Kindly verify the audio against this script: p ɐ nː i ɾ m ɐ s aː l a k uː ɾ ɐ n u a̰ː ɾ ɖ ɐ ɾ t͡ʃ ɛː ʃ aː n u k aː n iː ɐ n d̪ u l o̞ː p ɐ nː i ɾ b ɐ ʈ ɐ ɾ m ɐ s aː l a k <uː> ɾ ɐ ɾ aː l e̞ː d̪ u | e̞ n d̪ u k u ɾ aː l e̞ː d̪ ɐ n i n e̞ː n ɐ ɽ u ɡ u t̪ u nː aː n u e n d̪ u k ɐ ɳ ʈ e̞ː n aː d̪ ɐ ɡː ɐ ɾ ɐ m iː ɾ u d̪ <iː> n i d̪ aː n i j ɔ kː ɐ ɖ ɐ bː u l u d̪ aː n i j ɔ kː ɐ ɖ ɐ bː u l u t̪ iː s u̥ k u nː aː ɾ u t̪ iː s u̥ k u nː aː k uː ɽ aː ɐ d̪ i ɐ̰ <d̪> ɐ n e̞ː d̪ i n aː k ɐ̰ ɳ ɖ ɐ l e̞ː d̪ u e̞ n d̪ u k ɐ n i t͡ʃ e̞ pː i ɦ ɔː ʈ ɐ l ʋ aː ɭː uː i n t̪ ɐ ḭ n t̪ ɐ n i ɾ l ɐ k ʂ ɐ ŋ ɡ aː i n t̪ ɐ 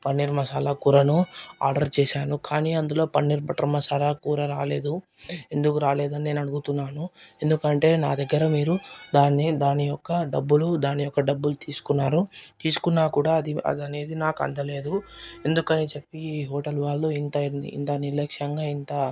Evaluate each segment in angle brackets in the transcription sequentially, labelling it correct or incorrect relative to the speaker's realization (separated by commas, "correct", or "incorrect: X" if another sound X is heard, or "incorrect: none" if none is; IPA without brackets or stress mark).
correct, incorrect: aː, correct